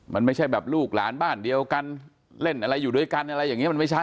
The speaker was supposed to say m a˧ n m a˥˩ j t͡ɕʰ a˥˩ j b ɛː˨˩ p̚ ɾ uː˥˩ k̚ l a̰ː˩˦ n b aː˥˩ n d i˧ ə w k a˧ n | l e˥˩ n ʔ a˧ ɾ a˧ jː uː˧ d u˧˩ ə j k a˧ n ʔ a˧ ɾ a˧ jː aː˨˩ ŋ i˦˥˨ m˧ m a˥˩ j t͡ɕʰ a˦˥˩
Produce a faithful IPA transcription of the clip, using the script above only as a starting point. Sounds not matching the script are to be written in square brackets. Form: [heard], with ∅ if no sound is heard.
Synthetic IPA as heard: m a˧ n m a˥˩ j t͡ɕʰ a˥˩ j b ɛː˨˩ p̚ [l] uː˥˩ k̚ l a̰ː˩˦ n b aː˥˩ n d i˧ ə w k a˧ n | l e˥˩ n ʔ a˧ ɾ a˧ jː [uː˨˩] d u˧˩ ə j k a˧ n ʔ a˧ ɾ a˧ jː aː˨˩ ŋ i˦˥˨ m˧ m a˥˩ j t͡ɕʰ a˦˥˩